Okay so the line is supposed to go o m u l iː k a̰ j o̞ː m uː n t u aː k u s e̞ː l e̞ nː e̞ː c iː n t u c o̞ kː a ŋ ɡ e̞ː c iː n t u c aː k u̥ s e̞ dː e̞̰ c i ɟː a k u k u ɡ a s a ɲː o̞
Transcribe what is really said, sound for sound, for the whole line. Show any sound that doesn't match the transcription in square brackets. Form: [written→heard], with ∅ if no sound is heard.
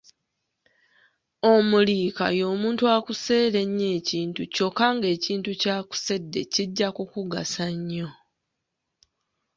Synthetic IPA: o m u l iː k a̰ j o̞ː m uː n t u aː k u s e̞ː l e̞ [nː→ɲː] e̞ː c iː n t u c o̞ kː a ŋ ɡ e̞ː c iː n t u c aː k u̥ s e̞ dː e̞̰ c i ɟː a k u k u ɡ a s a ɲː o̞